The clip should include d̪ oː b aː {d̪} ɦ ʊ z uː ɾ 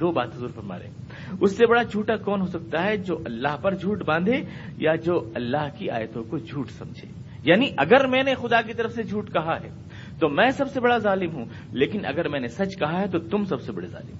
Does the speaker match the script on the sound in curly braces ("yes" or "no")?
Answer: no